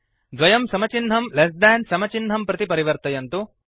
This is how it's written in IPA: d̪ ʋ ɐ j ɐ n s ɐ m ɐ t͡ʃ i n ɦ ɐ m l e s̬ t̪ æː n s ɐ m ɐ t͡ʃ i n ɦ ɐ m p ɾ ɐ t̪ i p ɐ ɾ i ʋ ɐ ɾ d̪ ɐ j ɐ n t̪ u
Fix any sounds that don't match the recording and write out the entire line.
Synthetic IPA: d̪ ʋ ɐ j ɐ m s ɐ m ɐ t͡ʃ i n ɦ ɐ m l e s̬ d̪ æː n s ɐ m ɐ t͡ʃ i n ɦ ɐ m p ɾ ɐ t̪ i p ɐ ɾ i ʋ ɐ ɾ t̪ ɐ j ɐ n t̪ u